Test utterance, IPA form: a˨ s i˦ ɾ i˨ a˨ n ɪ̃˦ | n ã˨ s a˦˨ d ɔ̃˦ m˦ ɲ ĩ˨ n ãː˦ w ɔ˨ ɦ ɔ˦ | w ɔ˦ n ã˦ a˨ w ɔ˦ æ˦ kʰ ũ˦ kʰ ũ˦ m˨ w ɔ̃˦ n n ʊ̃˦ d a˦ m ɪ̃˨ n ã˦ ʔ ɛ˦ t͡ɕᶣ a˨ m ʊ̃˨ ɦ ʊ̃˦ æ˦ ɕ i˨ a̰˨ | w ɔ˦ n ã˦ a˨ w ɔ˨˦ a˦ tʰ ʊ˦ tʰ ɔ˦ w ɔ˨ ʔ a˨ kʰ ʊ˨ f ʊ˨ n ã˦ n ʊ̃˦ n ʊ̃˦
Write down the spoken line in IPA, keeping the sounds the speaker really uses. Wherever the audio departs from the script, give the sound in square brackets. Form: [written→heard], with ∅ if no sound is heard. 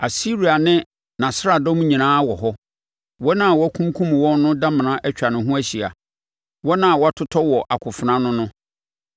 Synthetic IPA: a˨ s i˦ ɾ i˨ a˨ n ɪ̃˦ | n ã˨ s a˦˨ d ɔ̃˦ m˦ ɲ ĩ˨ n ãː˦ w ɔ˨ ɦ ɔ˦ | w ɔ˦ n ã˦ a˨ w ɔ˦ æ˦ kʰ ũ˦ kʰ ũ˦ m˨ w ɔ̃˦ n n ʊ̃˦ d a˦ m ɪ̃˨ n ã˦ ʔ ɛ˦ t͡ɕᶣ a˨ [m→n] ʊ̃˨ ɦ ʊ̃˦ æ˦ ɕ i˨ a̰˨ | w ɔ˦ n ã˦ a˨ w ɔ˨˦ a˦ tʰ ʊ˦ tʰ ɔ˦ w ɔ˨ ʔ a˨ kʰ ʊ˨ f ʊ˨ n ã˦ n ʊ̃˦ n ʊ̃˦